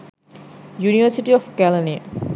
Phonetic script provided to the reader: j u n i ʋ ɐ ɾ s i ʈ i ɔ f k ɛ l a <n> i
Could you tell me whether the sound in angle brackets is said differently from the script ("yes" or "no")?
no